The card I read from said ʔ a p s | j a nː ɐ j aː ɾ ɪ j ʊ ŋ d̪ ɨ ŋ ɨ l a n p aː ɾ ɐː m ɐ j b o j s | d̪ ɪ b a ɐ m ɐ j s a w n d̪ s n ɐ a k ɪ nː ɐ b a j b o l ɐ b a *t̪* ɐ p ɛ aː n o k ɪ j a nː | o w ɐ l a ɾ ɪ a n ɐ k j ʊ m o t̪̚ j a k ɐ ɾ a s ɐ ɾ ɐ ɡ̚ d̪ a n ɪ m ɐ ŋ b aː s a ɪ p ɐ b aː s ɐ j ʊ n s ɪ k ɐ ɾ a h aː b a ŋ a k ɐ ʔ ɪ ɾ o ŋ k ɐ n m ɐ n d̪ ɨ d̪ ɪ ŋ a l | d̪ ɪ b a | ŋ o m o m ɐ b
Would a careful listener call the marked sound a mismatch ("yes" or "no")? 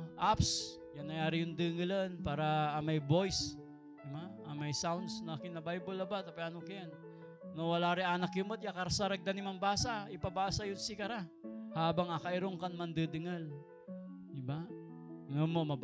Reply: no